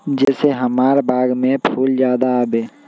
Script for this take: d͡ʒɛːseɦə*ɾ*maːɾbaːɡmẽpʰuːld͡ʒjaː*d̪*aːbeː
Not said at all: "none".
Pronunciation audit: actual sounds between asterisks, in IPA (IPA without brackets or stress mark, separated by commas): none, d̪